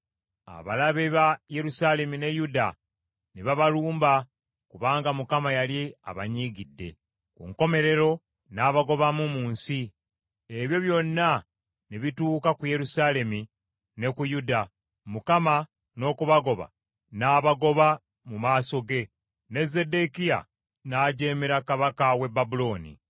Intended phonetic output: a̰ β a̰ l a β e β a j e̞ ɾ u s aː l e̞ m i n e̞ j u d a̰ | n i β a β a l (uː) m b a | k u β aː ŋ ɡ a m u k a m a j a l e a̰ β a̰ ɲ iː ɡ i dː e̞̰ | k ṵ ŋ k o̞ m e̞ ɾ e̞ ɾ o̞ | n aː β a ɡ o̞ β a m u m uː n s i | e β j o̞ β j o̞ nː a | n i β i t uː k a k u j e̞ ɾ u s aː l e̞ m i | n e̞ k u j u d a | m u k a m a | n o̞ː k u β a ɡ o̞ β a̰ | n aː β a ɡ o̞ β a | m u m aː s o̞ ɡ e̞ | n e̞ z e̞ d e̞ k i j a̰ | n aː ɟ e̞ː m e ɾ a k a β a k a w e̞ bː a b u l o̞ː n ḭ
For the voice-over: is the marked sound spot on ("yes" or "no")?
yes